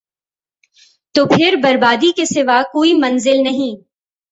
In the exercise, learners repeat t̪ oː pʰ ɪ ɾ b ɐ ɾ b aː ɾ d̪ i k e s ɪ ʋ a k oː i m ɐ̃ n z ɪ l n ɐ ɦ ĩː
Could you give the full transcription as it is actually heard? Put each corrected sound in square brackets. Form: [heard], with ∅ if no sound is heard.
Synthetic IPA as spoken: t̪ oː pʰ ɪ ɾ b ɐ ɾ b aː [∅] d̪ i k e s ɪ ʋ a k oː i m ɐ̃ n z ɪ l n ɐ ɦ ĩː